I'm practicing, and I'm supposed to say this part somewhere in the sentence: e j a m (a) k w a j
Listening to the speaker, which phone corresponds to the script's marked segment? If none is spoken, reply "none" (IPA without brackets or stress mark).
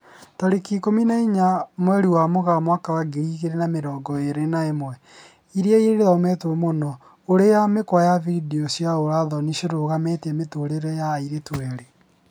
e